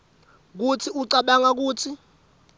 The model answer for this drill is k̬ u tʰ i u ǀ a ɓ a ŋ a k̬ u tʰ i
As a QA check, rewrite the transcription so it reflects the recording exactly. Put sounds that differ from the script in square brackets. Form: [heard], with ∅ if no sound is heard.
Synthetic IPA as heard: k̬ u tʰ i u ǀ a ɓ a ŋ a k̬ [uː] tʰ i